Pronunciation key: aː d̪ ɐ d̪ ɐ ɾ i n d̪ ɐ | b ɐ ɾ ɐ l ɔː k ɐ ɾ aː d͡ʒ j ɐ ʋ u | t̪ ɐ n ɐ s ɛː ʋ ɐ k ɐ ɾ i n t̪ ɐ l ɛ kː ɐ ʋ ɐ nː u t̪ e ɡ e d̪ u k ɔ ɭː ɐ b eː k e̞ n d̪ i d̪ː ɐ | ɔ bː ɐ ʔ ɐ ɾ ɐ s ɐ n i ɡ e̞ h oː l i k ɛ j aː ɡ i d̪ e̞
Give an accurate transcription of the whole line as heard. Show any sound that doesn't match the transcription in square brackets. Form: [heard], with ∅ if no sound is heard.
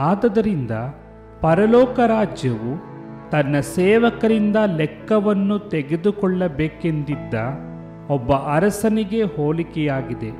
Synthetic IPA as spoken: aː d̪ ɐ d̪ ɐ ɾ i n d̪ ɐ | [p] ɐ ɾ ɐ l ɔː k ɐ ɾ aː d͡ʒ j ɐ ʋ u | t̪ ɐ [nː] ɐ s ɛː ʋ ɐ k ɐ ɾ i n [d̪] ɐ l ɛ kː ɐ ʋ ɐ nː u t̪ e ɡ e d̪ u k ɔ ɭː ɐ b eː k e̞ n d̪ i d̪ː ɐ | ɔ bː ɐ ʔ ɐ ɾ ɐ s ɐ n i ɡ e̞ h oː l i k ɛ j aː ɡ i d̪ e̞